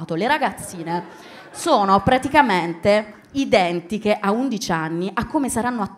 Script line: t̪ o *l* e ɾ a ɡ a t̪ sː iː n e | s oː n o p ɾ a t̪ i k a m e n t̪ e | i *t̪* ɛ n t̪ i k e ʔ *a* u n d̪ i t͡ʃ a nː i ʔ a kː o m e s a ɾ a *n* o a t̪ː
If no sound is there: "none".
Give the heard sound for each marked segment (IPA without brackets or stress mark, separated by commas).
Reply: l, d̪, a, nː